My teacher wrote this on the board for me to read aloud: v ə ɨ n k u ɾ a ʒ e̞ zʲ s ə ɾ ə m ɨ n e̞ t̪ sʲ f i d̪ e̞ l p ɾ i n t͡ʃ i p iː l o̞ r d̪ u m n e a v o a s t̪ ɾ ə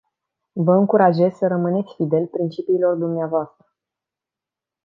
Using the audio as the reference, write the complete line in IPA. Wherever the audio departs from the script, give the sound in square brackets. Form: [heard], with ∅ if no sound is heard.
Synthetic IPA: v ə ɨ [ŋ] k u ɾ a ʒ e̞ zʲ s ə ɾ ə m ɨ n e̞ t̪ sʲ f i d̪ e̞ l p ɾ i n t͡ʃ i p iː l o̞ r d̪ u m n e a v o a s t̪ ɾ ə